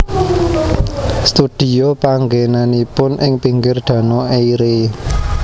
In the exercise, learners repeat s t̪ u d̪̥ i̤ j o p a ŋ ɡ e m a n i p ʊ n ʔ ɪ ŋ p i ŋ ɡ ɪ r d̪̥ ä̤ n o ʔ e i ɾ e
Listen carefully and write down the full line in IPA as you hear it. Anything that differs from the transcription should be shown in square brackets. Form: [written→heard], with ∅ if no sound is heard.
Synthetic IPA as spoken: s t̪ u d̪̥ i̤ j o p a ŋ ɡ e [m→n] a n i p ʊ n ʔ ɪ ŋ p i ŋ ɡ ɪ r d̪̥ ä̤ n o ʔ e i ɾ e